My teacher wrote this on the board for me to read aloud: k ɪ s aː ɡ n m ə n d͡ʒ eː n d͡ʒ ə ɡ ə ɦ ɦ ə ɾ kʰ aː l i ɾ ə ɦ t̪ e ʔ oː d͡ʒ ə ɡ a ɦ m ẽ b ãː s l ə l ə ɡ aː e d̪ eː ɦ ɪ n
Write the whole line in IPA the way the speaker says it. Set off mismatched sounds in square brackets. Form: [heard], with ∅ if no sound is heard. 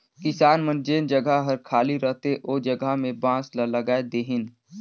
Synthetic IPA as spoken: k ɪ s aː [∅] n m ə n d͡ʒ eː n d͡ʒ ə ɡ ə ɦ ɦ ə ɾ kʰ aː l i ɾ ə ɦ t̪ e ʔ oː d͡ʒ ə ɡ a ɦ m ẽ b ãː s l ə l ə ɡ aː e d̪ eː ɦ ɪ n